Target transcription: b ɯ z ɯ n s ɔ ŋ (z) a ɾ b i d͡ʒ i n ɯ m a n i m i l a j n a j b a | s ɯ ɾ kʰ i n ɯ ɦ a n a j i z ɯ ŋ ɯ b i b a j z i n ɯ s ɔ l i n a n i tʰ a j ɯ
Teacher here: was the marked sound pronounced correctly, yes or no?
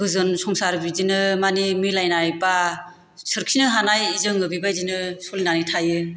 no